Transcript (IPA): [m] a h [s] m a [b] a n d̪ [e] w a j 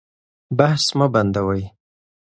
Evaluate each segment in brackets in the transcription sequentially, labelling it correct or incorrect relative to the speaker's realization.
incorrect, correct, correct, incorrect

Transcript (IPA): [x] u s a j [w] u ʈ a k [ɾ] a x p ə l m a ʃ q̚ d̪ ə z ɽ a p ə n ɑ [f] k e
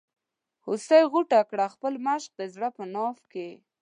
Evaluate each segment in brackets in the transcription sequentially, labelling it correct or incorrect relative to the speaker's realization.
incorrect, incorrect, incorrect, correct

